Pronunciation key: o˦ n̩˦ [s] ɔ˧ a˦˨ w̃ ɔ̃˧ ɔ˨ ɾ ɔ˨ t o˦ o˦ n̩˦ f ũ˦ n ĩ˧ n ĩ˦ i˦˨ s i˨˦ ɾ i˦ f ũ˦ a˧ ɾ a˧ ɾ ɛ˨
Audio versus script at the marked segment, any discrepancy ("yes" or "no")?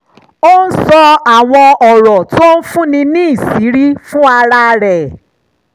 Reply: no